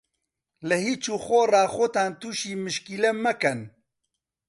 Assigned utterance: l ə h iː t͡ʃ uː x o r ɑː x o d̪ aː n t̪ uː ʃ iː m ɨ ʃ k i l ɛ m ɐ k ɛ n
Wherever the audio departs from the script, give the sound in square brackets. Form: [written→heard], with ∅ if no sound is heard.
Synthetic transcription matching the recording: l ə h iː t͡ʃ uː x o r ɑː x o [d̪→t̪] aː n t̪ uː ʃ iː m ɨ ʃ k i l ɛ m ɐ k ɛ n